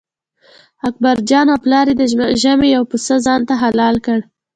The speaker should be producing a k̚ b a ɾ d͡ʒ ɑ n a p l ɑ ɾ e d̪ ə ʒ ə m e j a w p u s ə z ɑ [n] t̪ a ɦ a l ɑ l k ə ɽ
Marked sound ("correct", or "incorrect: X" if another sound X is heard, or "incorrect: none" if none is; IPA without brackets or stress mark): correct